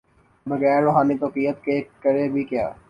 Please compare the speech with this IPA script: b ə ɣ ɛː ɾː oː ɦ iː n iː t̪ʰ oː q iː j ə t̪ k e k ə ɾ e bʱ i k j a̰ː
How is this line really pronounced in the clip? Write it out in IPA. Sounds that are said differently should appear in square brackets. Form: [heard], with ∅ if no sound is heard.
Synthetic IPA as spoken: b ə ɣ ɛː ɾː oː ɦ [aː] n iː [t̪] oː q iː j ə t̪ k e k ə ɾ e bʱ i k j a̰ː